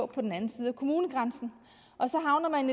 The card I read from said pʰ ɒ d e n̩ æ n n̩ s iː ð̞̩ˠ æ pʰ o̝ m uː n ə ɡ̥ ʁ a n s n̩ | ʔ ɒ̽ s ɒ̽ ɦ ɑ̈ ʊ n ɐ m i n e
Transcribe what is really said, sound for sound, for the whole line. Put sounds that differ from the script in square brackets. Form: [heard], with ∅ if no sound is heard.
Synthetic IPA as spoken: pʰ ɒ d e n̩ æ n n̩ s iː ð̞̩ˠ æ [kʰ] o̝ m uː n ə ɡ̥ ʁ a n s n̩ | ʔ ɒ̽ s ɒ̽ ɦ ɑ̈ ʊ n ɐ m [æ] n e